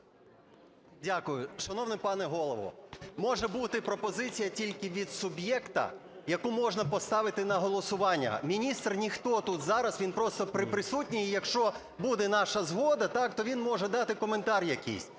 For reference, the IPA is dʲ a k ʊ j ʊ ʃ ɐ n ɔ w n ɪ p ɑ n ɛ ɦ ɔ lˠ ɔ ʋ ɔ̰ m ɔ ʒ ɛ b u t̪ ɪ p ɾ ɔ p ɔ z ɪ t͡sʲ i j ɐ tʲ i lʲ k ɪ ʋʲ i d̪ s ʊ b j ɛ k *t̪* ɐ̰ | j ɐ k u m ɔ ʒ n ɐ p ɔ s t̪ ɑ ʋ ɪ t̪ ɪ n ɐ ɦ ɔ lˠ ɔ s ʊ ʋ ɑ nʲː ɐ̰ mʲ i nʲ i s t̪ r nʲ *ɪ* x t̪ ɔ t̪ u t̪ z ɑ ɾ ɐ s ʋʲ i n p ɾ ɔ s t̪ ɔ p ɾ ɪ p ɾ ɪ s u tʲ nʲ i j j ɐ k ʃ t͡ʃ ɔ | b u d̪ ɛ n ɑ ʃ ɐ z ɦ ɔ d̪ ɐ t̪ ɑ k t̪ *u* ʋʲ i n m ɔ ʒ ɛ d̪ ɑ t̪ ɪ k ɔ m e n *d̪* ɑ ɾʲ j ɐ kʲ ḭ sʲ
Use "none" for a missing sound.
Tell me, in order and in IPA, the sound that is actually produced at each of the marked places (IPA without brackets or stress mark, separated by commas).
t̪, i, ɔ, t̪